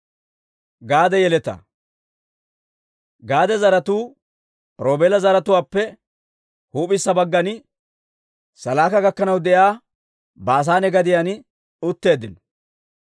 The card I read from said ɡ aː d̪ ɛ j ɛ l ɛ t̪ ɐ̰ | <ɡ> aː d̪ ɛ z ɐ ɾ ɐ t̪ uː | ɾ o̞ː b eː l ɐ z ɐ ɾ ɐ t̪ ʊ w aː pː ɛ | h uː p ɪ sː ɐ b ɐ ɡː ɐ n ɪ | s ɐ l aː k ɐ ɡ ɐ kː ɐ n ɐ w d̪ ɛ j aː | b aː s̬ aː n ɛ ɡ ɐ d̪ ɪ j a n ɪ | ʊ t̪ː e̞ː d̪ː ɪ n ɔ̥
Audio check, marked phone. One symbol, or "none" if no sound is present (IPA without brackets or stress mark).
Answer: ɡ